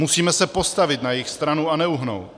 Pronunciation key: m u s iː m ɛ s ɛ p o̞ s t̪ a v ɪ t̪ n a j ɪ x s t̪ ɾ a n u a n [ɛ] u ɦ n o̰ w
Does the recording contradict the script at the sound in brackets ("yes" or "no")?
no